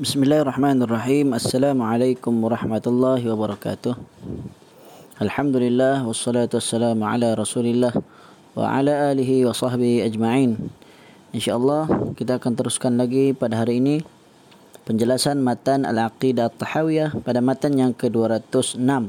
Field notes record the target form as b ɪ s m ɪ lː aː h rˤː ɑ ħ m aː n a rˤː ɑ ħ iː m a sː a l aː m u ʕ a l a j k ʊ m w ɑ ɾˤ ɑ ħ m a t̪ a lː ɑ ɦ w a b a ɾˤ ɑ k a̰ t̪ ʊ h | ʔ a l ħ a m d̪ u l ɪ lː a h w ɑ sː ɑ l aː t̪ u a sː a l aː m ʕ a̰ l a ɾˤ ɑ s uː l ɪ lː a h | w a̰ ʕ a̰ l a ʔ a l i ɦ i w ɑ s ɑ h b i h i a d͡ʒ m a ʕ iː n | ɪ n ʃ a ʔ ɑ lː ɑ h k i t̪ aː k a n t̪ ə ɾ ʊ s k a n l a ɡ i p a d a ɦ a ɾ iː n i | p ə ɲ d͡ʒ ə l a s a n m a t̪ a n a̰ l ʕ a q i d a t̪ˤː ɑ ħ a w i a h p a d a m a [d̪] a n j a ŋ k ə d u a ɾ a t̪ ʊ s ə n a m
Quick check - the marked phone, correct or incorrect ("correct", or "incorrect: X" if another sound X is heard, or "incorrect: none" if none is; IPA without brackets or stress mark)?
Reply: incorrect: t̪